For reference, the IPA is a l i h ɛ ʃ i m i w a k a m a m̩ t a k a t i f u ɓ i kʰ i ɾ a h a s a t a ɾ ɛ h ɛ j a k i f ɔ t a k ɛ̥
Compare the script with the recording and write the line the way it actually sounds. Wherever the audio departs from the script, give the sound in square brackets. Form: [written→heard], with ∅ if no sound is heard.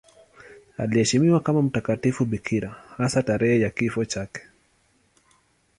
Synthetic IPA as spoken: a l i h ɛ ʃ i m i w a k a m a m̩ t a k a t i f u ɓ i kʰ i ɾ a h a s a t a ɾ ɛ h ɛ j a k i f ɔ [t→t͡ʃ] a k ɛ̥